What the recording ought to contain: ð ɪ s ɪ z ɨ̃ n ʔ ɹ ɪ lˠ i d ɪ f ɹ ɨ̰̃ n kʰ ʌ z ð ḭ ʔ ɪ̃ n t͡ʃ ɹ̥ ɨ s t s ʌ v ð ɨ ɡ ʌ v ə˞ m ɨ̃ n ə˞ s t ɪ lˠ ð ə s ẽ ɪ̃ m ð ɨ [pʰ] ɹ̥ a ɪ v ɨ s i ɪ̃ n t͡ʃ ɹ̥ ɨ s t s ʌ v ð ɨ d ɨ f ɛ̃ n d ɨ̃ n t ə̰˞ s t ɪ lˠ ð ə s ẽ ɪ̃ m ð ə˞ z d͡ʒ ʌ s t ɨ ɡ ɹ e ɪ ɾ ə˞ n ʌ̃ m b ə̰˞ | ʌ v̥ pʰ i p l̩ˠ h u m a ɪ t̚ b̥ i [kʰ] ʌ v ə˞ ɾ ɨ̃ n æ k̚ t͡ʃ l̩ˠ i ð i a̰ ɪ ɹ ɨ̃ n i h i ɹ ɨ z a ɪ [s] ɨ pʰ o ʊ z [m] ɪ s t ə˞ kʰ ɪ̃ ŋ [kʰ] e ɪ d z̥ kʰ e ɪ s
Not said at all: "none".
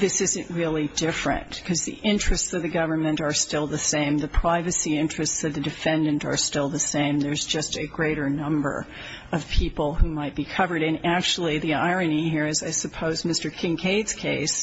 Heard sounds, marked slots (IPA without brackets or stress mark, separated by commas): pʰ, kʰ, s, m, kʰ